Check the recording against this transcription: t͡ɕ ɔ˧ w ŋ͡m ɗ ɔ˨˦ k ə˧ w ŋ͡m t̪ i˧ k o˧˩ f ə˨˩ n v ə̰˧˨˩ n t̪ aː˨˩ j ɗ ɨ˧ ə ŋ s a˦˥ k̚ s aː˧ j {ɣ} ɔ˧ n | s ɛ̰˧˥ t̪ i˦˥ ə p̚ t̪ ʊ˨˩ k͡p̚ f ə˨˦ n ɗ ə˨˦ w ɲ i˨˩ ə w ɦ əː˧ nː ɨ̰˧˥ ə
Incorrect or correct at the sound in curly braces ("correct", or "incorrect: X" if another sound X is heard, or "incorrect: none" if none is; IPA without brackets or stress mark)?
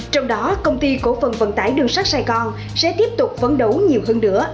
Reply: correct